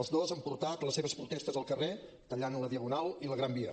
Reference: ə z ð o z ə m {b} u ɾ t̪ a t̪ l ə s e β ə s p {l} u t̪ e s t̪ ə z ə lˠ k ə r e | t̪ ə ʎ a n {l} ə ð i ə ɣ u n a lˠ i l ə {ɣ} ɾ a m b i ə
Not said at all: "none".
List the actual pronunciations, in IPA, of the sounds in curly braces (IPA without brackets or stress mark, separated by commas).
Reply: p, ɾ, l, ɣ